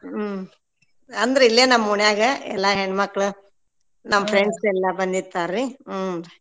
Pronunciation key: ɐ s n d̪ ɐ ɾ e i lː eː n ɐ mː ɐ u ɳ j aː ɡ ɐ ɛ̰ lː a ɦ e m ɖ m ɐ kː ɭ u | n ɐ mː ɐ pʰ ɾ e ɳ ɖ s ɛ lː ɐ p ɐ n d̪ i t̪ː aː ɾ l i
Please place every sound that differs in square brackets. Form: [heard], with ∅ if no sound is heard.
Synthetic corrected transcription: ɐ [∅] n d̪ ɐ ɾ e i lː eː n ɐ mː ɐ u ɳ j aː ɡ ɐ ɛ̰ lː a ɦ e [ɳ] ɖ m ɐ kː ɭ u | n ɐ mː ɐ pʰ ɾ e ɳ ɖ s ɛ lː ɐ [b] ɐ n d̪ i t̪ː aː ɾ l i